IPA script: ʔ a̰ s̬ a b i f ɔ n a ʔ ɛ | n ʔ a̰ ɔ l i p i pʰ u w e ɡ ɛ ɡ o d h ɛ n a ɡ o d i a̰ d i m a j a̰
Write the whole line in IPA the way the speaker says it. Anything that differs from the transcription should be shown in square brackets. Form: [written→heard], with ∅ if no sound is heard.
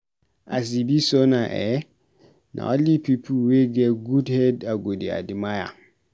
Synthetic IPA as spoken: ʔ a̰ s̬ [a→i] b i [f→s] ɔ n a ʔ ɛ | n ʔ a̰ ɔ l i p i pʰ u w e ɡ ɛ ɡ [o→u] d h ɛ [n→d] a ɡ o d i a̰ d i m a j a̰